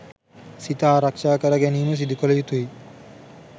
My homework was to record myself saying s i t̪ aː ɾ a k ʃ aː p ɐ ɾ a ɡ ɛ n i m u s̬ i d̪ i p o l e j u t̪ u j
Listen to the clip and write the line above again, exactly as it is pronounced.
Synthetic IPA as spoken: s i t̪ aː ɾ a k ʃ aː k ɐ ɾ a ɡ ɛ n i m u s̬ i d̪ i k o l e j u t̪ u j

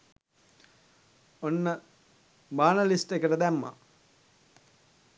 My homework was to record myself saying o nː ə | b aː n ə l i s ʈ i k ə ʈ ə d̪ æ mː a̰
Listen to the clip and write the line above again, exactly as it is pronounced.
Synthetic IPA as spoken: o nː ə | b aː n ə l i s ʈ e k ə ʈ ə d̪ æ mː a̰

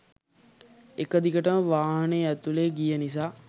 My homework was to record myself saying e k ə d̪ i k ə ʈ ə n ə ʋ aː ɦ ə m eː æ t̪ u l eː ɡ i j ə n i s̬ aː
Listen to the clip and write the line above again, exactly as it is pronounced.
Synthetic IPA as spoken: e k ə d̪ i k ə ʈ ə m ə ʋ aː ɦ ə n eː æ t̪ u l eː ɡ i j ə n i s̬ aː

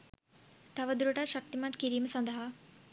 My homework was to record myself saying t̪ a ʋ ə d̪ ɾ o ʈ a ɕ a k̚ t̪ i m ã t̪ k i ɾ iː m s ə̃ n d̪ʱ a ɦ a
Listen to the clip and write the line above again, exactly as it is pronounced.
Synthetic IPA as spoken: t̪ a ʋ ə d̪ ɾ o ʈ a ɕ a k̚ t̪ i m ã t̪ k i ɾ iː m s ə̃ n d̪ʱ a ɦ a

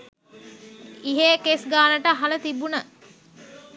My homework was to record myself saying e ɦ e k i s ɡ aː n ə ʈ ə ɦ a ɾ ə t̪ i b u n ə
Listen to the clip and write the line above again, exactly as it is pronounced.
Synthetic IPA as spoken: i ɦ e k e s ɡ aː n ə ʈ ə ɦ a l ə t̪ i b u n ə

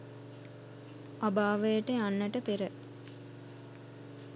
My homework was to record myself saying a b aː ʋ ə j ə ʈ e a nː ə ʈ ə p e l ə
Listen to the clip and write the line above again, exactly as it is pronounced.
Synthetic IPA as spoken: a b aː ʋ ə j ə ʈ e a nː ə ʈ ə p e ɾ ə

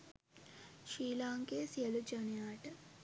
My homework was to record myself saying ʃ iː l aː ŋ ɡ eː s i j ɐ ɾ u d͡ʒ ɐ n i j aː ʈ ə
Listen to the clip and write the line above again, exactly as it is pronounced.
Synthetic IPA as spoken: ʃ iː l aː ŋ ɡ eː s i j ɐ l u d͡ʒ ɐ n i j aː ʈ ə

